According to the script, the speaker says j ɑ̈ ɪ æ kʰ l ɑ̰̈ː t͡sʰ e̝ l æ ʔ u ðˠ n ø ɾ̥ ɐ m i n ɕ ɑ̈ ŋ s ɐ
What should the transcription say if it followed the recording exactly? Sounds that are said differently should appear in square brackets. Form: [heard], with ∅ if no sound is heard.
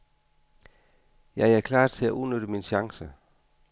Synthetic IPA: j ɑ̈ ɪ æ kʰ l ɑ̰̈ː t͡sʰ e̝ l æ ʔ u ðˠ n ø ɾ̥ [ə] m i n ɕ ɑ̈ ŋ s [ə]